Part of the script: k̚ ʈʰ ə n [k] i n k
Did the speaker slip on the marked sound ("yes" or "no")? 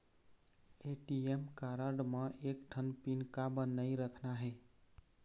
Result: yes